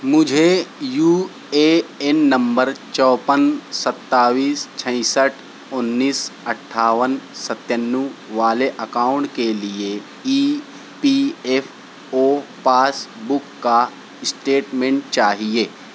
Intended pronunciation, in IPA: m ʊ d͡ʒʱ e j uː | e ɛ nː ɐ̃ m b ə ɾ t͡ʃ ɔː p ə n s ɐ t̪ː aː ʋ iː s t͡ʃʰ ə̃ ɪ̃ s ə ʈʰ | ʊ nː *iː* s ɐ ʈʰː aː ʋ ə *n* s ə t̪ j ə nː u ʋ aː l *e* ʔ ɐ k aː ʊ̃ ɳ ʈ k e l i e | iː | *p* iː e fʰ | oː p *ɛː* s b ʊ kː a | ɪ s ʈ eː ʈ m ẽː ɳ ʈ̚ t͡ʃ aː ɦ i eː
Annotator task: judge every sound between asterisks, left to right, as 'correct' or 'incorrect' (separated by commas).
correct, correct, correct, correct, incorrect